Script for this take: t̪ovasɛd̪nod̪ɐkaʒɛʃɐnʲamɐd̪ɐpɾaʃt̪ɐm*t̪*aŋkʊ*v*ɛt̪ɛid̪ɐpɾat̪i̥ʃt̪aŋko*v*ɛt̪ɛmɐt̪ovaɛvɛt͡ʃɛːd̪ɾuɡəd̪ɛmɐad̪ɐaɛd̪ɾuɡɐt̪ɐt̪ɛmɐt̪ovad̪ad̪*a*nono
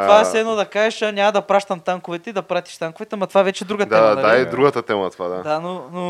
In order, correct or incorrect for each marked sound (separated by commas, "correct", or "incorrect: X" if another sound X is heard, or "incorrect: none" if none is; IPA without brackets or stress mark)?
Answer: correct, correct, correct, correct